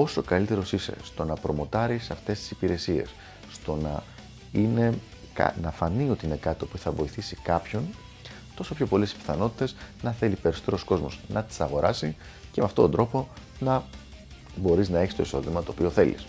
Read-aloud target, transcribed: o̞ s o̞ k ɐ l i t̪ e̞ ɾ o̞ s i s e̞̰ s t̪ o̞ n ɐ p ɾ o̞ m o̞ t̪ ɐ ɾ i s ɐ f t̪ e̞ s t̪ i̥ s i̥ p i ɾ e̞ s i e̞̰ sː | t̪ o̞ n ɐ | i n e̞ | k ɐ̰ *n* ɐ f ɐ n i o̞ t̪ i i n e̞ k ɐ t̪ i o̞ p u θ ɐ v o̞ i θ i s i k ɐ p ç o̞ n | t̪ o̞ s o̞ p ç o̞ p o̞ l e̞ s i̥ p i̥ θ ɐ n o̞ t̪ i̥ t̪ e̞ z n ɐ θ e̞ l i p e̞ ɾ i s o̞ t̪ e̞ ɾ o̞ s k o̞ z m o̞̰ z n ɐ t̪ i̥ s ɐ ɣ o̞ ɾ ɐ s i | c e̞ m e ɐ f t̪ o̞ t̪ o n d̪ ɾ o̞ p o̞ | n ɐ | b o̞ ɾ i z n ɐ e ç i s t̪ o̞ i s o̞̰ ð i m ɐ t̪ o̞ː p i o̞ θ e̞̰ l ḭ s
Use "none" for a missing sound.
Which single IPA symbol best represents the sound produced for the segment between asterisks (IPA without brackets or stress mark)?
n